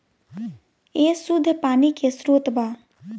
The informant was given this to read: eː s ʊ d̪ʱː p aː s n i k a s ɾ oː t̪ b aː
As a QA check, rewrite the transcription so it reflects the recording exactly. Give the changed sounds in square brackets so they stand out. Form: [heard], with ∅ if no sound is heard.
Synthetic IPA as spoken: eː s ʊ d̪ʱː p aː [∅] n i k [e] s ɾ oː t̪ b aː